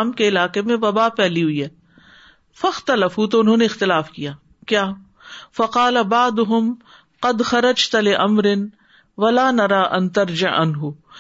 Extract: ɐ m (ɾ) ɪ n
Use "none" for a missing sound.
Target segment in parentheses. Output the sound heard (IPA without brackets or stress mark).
ɾ